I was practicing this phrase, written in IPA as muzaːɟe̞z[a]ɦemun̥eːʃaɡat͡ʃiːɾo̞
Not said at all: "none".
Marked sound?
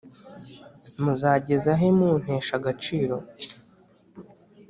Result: a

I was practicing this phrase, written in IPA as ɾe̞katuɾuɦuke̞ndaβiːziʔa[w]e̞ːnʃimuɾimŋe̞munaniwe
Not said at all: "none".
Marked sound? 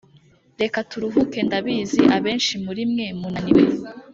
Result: β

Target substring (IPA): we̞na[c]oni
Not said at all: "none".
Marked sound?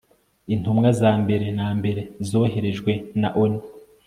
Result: ʔ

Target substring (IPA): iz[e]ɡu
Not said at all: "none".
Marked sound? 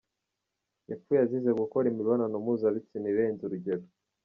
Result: e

